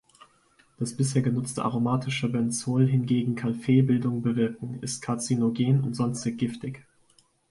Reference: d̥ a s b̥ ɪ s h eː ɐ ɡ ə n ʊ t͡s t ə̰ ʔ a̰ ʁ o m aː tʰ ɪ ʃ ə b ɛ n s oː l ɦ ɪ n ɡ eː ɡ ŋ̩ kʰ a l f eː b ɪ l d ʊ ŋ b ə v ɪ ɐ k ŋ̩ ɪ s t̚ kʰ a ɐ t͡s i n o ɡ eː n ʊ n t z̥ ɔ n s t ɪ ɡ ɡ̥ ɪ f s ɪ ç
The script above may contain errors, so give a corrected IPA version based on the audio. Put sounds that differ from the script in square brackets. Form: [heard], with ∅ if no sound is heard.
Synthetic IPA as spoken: d̥ a s b̥ ɪ s h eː ɐ ɡ ə n ʊ t͡s t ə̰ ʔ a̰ ʁ o m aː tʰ ɪ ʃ ə b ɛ n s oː l ɦ ɪ n ɡ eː ɡ ŋ̩ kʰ a l f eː b ɪ l d ʊ ŋ b ə v ɪ ɐ k ŋ̩ ɪ s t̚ kʰ a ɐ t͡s i n o ɡ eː n ʊ n t z̥ ɔ n s t ɪ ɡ ɡ̥ ɪ f [t] ɪ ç